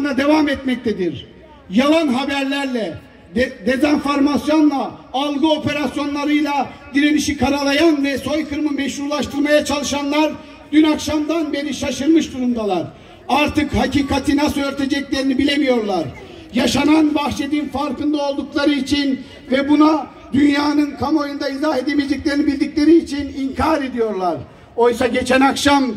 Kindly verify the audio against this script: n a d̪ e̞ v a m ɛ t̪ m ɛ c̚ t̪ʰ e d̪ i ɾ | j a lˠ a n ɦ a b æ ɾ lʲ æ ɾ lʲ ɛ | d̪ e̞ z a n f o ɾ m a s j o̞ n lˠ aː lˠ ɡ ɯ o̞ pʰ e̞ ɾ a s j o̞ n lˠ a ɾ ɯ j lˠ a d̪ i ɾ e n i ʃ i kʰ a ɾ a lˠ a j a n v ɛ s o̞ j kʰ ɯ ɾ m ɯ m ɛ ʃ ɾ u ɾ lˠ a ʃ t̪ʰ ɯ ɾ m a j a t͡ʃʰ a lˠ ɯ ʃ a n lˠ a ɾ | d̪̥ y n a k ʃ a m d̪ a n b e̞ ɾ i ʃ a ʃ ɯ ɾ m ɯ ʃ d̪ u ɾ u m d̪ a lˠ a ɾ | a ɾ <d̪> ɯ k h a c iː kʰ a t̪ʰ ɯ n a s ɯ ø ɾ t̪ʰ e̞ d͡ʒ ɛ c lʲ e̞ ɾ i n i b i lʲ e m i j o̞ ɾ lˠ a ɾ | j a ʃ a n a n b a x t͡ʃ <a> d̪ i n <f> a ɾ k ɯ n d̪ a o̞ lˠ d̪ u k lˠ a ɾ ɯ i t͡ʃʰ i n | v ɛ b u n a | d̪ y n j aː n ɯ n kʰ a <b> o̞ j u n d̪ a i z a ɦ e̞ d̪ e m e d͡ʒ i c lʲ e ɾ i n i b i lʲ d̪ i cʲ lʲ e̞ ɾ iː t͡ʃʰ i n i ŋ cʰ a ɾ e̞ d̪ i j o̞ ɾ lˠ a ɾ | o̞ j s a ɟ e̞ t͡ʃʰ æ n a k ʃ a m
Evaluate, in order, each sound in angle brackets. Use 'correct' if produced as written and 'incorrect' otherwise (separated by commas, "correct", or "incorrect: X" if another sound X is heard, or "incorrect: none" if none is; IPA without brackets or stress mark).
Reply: incorrect: t̪, incorrect: e, correct, incorrect: m